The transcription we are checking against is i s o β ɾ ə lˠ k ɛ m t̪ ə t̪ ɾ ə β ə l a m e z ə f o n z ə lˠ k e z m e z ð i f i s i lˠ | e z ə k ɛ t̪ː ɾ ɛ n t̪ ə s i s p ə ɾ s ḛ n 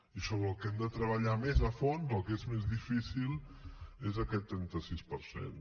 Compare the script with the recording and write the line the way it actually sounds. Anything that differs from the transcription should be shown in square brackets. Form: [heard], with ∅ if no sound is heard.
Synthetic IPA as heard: i s o β ɾ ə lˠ k ɛ m [d̪] ə t̪ ɾ ə β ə [ʎ] a m e z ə f o n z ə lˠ k e z m e z ð i f i s i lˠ | e z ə k ɛ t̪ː ɾ ɛ n t̪ ə s i s p ə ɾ s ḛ n